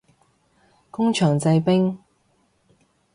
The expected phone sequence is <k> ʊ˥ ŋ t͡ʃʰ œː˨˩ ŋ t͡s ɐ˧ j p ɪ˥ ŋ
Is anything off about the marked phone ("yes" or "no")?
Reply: no